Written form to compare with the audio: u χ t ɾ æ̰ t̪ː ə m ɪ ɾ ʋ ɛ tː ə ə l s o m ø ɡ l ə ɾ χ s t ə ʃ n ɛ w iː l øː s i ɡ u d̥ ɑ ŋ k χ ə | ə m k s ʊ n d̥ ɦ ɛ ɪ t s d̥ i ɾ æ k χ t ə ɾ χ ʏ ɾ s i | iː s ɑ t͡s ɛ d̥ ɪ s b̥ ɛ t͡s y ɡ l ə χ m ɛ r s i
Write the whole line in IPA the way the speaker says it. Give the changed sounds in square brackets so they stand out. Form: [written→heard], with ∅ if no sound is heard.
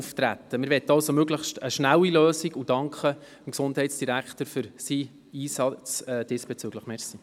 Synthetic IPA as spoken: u [χ→f] t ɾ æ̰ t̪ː ə m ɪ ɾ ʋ ɛ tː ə [ə→ɑ] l s o m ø ɡ l ə [ɾ→∅] χ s t ə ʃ n [ɛ→æ] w [iː→i] l øː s i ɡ u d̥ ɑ ŋ k χ ə | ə m k s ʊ n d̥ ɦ ɛ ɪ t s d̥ i ɾ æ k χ t ə ɾ [χ→f] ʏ ɾ s i | iː s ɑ t͡s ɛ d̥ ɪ s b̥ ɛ t͡s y ɡ l ə χ m ɛ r s i